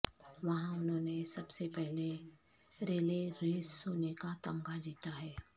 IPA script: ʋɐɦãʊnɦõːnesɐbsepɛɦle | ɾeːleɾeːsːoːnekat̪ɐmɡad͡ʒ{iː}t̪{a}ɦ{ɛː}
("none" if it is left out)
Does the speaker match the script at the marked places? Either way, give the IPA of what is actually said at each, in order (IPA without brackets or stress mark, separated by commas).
iː, a, ɛː